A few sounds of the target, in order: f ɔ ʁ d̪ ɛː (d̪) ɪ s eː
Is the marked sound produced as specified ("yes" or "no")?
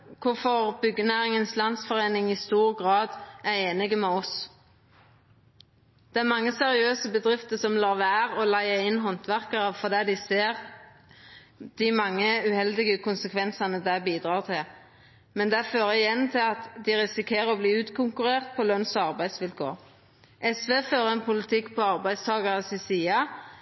yes